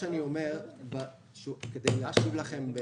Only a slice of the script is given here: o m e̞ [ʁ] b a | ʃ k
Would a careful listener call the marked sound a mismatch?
no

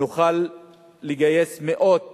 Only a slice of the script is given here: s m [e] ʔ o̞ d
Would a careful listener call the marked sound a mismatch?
no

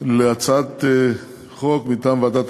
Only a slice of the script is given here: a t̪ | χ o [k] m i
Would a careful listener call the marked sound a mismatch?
no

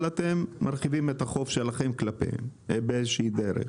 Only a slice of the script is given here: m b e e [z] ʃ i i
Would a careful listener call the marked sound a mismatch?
no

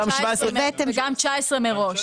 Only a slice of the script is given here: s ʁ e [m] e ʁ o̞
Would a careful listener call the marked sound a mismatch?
no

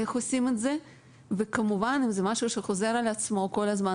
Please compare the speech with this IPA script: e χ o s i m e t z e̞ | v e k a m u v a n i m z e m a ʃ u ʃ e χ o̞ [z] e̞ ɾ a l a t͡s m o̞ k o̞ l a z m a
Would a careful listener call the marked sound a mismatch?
no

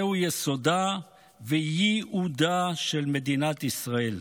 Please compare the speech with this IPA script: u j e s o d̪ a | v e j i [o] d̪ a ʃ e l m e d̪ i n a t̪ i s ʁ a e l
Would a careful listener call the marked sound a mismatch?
yes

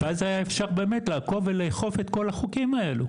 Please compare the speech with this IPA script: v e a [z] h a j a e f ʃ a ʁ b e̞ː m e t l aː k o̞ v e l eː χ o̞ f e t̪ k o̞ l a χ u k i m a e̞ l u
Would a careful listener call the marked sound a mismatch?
no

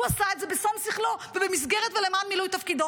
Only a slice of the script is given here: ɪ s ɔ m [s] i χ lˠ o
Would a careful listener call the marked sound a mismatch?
no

